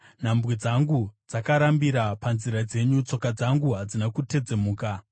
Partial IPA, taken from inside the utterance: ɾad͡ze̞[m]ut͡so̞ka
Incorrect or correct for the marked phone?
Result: incorrect: ɲ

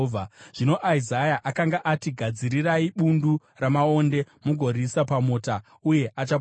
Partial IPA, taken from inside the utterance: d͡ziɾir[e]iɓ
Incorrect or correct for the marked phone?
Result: incorrect: a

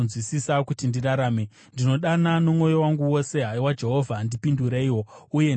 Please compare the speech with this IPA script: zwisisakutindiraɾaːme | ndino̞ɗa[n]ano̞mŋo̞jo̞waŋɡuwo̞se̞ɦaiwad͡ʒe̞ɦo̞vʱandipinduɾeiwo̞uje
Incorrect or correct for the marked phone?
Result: correct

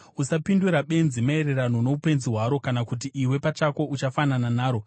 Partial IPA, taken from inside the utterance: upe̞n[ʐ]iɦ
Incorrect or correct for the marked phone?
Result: incorrect: z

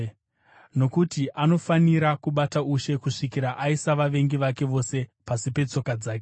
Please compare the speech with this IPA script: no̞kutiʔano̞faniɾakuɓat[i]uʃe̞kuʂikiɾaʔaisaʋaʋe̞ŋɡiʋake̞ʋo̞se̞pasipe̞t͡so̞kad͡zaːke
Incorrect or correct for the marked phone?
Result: incorrect: a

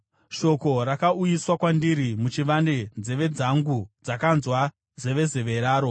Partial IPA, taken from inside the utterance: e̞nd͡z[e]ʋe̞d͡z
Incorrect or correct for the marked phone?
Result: correct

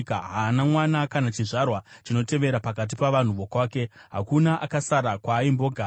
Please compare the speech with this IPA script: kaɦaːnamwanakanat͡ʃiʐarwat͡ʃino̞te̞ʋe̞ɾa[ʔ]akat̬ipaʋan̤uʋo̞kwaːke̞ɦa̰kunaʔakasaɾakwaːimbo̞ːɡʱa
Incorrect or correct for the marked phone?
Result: incorrect: p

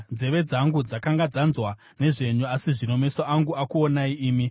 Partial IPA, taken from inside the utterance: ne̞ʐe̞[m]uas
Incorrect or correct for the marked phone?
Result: incorrect: ɲ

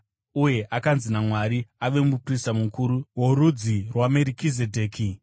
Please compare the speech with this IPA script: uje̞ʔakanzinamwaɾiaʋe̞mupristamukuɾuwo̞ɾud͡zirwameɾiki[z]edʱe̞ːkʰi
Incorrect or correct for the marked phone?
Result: correct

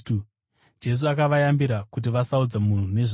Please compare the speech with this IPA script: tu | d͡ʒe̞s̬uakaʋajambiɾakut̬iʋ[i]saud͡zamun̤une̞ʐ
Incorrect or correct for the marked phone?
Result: incorrect: a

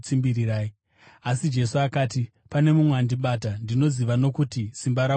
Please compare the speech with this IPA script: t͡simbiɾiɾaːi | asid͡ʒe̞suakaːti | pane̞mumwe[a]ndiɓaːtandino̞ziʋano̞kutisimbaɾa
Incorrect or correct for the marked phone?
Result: correct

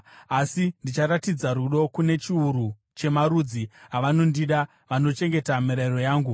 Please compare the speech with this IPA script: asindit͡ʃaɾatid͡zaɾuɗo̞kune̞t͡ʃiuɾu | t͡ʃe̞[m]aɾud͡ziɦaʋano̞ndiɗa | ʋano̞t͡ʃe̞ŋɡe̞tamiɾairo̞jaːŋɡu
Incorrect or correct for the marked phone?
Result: correct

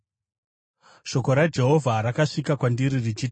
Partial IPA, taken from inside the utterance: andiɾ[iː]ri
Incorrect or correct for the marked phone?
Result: incorrect: i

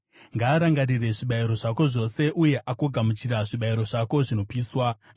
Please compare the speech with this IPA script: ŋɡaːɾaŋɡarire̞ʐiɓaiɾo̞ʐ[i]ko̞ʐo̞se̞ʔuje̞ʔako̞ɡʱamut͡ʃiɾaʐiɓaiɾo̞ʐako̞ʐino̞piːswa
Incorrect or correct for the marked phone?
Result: incorrect: a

